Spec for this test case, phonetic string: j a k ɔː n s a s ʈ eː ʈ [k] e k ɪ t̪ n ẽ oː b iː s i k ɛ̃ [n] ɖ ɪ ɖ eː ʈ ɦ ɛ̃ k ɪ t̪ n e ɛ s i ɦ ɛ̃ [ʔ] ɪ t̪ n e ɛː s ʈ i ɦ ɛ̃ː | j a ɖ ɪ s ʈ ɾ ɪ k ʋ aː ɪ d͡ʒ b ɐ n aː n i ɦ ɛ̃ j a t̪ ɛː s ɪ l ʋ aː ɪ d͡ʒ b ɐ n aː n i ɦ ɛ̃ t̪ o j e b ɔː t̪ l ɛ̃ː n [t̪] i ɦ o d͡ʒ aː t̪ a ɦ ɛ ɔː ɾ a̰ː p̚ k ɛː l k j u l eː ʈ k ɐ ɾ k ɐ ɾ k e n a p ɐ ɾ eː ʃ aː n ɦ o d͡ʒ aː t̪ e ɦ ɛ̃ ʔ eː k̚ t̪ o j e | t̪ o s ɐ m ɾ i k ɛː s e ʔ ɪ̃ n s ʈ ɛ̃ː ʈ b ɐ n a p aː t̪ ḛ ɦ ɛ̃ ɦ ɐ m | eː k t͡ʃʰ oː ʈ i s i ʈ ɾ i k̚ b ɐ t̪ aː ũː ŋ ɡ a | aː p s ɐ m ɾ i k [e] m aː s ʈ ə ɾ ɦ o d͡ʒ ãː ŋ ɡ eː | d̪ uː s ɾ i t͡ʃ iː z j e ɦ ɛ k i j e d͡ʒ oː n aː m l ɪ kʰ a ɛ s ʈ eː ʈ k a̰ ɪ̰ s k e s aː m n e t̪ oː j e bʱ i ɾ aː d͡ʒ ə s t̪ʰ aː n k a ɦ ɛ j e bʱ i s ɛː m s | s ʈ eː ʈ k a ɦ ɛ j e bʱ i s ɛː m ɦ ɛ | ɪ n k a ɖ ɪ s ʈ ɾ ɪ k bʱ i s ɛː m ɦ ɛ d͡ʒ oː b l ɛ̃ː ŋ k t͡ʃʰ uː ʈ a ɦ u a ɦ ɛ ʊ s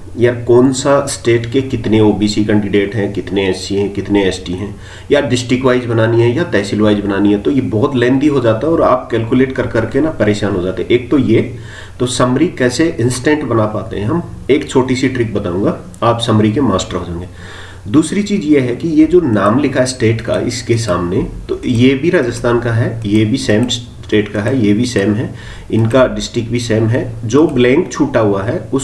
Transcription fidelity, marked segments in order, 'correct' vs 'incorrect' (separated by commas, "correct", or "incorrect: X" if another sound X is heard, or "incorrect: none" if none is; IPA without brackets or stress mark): correct, incorrect: ɳ, incorrect: k, incorrect: d̪, correct